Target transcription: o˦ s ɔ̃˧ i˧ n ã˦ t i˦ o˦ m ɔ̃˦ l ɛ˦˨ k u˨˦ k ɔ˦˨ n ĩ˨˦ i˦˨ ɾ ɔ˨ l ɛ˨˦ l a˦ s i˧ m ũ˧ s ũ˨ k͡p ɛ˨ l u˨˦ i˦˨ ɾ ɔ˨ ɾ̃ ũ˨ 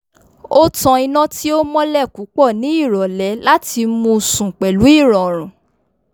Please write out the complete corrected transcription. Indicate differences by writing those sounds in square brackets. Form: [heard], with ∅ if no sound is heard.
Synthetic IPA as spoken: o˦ [t] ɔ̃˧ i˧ n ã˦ t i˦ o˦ m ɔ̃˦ l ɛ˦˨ k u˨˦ [k͡p] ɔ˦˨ n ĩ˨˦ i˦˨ ɾ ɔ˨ l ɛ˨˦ l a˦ [t] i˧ m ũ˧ s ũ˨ k͡p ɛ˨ l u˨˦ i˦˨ ɾ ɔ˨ ɾ̃ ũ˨